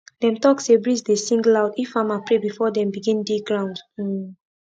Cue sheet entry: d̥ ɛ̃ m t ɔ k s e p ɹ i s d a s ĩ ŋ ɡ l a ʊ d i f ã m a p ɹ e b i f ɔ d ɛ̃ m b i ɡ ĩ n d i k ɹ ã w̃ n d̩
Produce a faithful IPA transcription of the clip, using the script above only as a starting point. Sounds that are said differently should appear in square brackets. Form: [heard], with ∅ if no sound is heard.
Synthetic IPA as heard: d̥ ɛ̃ m t ɔ k s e [b] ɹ i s d [e] s ĩ ŋ ɡ l a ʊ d i f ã m a p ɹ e b i f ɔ d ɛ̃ m b i ɡ ĩ n d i [ɡ] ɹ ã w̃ n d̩